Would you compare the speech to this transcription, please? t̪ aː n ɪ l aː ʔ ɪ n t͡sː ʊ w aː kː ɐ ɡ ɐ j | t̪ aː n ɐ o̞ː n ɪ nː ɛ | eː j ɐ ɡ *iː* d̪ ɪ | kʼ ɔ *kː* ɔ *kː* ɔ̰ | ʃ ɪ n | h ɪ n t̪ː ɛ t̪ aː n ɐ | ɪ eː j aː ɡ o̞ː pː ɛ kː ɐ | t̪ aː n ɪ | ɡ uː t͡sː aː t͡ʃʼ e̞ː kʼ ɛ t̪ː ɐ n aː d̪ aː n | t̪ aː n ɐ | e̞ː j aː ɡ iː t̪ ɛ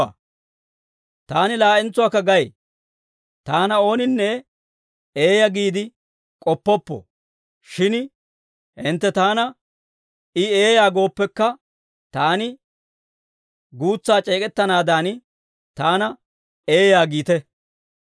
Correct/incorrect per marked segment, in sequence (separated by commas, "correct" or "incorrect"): correct, incorrect, incorrect